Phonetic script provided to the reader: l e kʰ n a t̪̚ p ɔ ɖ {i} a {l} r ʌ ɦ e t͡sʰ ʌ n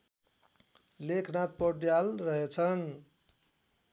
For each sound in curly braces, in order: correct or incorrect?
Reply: incorrect: j, correct

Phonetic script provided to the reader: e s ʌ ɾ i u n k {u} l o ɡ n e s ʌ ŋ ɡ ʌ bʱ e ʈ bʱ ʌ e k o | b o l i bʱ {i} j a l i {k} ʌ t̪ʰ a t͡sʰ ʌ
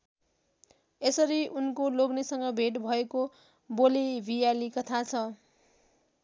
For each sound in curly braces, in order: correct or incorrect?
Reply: incorrect: o, correct, correct

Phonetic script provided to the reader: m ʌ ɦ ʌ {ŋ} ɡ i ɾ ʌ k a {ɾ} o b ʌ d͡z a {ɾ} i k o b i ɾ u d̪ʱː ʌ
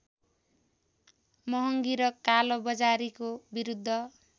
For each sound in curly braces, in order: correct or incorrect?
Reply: correct, incorrect: l, correct

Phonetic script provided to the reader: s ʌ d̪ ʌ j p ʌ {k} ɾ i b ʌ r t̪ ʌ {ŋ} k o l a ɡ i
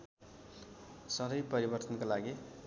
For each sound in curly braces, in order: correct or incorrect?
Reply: incorrect: none, incorrect: n

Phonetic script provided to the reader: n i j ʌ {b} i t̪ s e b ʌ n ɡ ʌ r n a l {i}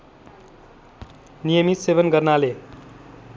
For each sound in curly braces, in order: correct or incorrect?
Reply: incorrect: m, incorrect: e

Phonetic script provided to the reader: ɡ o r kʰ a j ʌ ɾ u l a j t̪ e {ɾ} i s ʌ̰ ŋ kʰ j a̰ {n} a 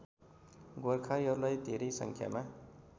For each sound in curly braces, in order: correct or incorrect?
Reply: correct, incorrect: m

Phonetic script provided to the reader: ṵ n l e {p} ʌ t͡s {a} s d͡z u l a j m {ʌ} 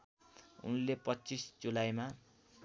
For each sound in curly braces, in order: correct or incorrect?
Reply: correct, incorrect: i, incorrect: a

